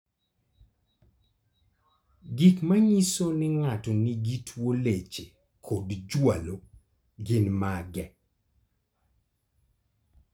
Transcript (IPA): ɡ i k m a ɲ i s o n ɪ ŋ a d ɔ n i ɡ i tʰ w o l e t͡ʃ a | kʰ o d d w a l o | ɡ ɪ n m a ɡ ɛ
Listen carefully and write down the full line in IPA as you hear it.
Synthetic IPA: ɡ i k m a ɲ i s o n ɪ ŋ a t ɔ n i ɡ i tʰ w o l e t͡ʃ e | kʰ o d d͡ʒ w a l o | ɡ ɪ n m a ɡ ɛ